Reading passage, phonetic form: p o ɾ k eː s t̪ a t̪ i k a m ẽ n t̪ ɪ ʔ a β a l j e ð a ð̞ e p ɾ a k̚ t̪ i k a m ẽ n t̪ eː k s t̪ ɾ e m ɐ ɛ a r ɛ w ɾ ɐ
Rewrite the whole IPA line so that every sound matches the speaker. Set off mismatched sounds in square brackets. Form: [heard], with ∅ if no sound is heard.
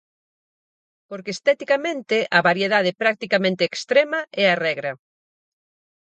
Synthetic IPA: p o ɾ k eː s t̪ [ɛ] t̪ i k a m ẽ n t̪ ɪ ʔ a β a [ɾ] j e ð a ð̞ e p ɾ a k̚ t̪ i k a m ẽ n t̪ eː k s t̪ ɾ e m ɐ ɛ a r ɛ [ɣ] ɾ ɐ